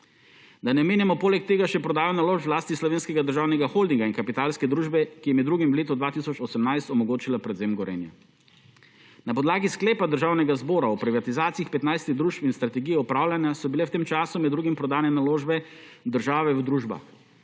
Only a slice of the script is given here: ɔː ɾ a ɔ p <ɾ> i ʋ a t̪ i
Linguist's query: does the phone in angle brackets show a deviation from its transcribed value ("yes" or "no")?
no